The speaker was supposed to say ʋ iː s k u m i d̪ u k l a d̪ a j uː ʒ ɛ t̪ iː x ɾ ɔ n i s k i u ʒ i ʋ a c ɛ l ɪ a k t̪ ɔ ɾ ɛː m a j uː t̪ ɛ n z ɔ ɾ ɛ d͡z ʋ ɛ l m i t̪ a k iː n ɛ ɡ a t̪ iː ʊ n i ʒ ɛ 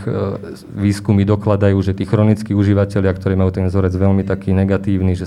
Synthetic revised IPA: ʋ iː s k u m i d̪ ɔ k l a d̪ a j uː ʒ ɛ t̪ iː x ɾ ɔ n i t͡s k i u ʒ i ʋ a c ɛ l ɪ a k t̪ ɔ ɾ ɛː m a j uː t̪ ɛ n z ɔ ɾ ɛ d͡z ʋ ɛ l m i t̪ a k iː n ɛ ɡ a t̪ iː ʊ n i ʒ ɛ